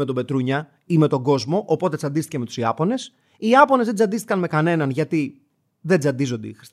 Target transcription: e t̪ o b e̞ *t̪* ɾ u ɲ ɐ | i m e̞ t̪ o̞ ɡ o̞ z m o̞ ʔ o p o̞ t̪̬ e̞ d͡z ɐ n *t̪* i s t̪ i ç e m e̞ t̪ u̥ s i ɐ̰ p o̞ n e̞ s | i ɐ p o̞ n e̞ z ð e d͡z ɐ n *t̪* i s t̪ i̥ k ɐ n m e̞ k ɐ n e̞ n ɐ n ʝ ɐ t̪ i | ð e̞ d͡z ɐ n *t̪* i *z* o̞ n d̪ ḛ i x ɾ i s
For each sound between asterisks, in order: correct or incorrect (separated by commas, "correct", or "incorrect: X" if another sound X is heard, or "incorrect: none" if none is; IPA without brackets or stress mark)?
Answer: correct, incorrect: d̪, incorrect: d̪, incorrect: d̪, correct